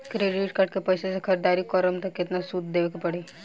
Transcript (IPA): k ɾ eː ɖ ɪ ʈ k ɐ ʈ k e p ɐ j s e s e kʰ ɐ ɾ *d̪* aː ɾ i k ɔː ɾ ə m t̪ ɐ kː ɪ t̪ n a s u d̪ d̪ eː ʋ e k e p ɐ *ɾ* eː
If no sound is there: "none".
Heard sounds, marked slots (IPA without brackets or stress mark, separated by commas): d̪, ɽ